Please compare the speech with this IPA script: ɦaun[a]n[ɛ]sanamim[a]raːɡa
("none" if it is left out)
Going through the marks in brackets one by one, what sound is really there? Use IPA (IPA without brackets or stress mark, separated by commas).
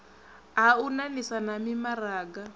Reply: a, i, a